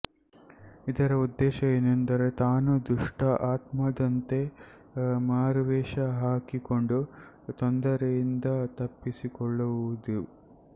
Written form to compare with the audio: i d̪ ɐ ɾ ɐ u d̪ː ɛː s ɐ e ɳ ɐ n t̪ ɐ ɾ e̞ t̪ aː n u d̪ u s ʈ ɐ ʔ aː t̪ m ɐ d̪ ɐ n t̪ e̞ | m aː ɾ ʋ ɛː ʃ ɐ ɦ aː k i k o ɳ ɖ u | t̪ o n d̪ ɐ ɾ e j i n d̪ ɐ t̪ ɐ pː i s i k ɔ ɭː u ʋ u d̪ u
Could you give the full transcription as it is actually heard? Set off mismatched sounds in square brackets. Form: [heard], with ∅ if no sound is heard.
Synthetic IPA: i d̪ ɐ ɾ ɐ u d̪ː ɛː [ʃ] ɐ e [n] ɐ n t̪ ɐ ɾ e̞ t̪ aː n u d̪ u [ʂ] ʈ ɐ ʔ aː t̪ m ɐ d̪ ɐ n t̪ e̞ | m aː ɾ ʋ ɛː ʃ ɐ ɦ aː k i k o ɳ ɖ u | t̪ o n d̪ ɐ ɾ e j i n d̪ ɐ t̪ ɐ pː i s i k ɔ ɭː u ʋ u d̪ u